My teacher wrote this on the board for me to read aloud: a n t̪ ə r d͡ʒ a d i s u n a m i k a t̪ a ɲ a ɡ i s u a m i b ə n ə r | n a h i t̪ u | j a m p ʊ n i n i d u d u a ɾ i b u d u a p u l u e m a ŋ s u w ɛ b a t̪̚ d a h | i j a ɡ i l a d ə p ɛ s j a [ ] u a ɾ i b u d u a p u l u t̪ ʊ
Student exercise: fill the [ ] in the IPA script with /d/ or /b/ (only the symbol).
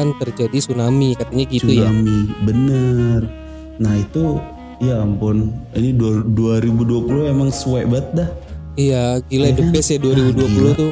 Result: d